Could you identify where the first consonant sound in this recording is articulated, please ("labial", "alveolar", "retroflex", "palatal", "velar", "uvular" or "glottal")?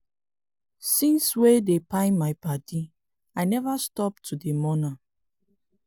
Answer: alveolar